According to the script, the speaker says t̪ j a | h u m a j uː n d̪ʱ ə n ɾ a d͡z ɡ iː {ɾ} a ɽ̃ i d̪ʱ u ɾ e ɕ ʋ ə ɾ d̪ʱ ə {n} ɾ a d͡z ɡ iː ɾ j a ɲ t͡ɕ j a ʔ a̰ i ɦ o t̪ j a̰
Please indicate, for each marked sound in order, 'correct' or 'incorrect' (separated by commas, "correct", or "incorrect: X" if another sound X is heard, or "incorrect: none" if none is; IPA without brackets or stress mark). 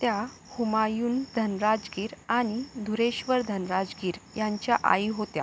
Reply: correct, correct